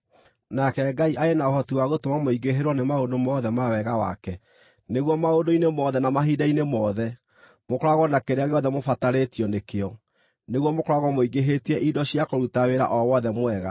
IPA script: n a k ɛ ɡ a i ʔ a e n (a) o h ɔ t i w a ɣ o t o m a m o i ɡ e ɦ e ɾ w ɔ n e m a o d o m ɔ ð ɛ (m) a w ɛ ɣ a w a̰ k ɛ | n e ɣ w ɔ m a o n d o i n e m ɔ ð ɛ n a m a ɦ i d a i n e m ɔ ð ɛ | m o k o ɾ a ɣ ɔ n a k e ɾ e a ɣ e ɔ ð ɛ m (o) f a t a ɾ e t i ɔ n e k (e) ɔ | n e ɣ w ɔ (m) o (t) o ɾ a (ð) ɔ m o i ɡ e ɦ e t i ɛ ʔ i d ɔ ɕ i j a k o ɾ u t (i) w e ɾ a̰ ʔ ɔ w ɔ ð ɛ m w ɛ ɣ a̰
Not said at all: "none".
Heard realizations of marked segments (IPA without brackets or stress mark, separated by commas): a, m, o, e, m, k, ɣ, a